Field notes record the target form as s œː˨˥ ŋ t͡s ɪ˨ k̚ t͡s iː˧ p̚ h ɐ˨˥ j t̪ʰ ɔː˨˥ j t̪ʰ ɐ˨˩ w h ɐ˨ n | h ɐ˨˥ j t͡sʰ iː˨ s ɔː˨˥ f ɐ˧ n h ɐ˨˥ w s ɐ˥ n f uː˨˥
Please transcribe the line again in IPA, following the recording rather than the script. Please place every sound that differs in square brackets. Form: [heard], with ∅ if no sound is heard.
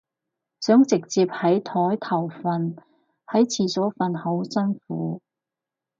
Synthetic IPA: s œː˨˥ ŋ t͡s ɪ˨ k̚ t͡s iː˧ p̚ h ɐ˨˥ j t̪ʰ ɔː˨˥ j t̪ʰ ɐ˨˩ w [f] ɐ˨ n | h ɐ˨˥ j t͡sʰ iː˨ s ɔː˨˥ f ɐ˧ n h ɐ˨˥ w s ɐ˥ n f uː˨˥